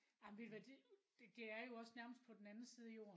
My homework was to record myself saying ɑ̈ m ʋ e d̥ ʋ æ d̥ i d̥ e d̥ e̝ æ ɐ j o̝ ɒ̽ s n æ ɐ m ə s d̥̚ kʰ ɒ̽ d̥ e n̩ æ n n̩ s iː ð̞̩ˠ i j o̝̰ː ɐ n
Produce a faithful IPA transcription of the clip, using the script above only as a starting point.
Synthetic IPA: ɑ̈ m ʋ e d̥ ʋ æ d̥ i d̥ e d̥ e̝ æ ɐ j o̝ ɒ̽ s n æ ɐ m ə s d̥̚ pʰ ɒ̽ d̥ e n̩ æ n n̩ s iː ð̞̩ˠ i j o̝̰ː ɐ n